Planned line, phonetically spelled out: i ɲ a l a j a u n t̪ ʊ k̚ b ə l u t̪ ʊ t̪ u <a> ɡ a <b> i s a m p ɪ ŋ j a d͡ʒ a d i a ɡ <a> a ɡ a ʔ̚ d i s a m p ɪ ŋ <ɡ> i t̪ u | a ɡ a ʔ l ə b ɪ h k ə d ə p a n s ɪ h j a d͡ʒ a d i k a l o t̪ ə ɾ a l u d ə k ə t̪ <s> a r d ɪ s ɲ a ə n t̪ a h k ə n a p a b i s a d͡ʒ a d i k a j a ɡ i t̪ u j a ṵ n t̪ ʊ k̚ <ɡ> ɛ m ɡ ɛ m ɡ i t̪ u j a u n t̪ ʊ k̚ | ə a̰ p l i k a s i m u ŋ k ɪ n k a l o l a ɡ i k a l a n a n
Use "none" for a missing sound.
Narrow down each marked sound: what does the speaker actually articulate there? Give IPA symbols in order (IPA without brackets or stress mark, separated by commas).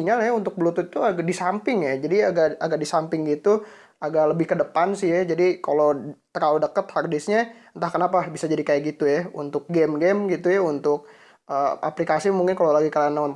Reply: a, d, a, ɡ, h, ɡ